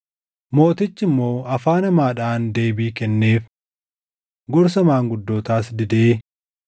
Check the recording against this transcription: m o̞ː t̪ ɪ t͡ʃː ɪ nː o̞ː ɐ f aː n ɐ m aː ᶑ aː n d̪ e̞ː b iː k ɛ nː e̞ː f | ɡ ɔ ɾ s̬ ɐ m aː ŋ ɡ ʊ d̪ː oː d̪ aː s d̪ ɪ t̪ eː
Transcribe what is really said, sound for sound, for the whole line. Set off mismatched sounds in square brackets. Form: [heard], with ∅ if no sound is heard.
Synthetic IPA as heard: m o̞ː t̪ ɪ t͡ʃː ɪ [mː] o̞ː ɐ f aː n ɐ m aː ᶑ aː n d̪ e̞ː b iː k ɛ nː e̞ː f | ɡ ɔ ɾ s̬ ɐ m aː ŋ ɡ ʊ d̪ː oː [t̪] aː s d̪ ɪ [d̪] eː